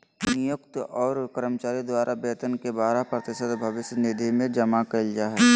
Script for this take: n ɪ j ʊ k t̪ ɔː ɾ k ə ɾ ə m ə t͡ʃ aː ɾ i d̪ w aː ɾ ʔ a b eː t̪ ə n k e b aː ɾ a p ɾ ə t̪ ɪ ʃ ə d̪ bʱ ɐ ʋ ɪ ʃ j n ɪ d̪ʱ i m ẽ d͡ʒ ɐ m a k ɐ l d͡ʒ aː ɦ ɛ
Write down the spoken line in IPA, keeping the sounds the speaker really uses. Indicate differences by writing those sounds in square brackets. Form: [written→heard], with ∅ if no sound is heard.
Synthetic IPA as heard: n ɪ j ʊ k t̪ ɔː ɾ k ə ɾ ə m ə t͡ʃ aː ɾ i d̪ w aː ɾ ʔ a b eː t̪ ə n k e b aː ɾ a p ɾ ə t̪ ɪ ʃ ə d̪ bʱ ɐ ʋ ɪ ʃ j n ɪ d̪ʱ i m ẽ d͡ʒ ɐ m a k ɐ l d͡ʒ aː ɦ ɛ